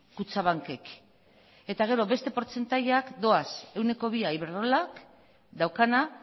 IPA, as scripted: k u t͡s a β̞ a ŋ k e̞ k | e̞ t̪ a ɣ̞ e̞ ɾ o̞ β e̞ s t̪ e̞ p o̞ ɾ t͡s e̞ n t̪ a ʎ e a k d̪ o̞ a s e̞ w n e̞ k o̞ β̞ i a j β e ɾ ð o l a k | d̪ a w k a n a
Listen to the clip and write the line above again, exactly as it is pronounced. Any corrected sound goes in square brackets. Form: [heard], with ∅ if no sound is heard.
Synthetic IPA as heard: k u t͡s a β̞ a ŋ k e̞ k | e̞ t̪ a ɣ̞ e̞ ɾ o̞ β e̞ s t̪ e̞ p o̞ ɾ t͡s e̞ n t̪ a ʎ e a k d̪ o̞ a s e̞ w n e̞ k o̞ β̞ i a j β e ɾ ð o l a k | d̪ a w k a n a